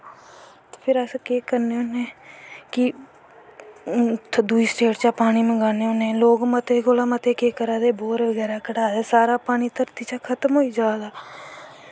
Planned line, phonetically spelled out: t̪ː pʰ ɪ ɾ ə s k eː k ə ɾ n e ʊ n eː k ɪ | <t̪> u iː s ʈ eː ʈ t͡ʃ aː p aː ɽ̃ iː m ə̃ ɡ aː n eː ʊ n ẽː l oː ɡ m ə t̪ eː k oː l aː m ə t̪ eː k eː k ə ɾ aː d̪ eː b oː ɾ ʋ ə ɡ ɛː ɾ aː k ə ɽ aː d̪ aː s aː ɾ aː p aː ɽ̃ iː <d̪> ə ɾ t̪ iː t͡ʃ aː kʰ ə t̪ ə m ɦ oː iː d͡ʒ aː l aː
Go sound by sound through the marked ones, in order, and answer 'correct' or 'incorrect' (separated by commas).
incorrect, incorrect